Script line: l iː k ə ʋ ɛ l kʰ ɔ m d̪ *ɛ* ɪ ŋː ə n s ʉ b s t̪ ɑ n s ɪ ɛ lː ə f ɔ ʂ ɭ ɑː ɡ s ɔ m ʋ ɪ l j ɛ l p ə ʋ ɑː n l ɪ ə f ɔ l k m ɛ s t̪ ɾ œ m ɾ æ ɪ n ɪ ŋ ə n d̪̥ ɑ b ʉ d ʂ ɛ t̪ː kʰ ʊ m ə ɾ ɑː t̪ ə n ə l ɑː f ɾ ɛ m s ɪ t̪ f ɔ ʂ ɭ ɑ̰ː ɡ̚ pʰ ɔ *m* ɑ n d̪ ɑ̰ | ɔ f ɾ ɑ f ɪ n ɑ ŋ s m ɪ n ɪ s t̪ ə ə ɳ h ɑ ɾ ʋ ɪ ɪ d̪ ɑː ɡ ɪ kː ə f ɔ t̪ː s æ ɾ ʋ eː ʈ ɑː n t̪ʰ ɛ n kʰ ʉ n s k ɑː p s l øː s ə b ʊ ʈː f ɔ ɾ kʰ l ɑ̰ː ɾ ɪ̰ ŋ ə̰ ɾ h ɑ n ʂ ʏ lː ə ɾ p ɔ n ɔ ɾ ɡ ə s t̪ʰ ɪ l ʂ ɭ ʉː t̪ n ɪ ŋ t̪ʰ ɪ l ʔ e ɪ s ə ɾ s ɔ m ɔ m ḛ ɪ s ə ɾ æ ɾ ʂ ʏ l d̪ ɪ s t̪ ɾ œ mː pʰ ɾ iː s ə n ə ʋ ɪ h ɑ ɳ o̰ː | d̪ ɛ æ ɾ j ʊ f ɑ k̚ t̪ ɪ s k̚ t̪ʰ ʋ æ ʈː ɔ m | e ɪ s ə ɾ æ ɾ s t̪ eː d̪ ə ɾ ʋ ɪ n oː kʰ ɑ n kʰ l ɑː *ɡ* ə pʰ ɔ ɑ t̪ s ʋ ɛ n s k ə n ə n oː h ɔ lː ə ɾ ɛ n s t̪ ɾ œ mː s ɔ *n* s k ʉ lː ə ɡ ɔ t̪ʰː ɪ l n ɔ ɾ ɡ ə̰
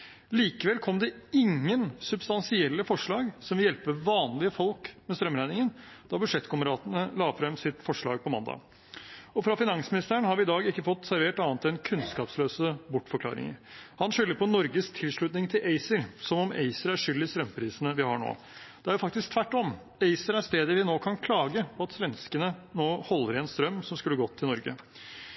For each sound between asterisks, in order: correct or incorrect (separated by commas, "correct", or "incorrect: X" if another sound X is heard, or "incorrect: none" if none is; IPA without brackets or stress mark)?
correct, correct, correct, incorrect: m